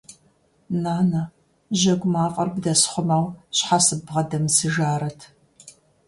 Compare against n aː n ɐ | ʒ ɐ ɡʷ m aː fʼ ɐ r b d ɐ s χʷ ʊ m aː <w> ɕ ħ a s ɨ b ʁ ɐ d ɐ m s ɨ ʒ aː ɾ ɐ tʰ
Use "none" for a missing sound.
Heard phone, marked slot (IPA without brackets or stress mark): w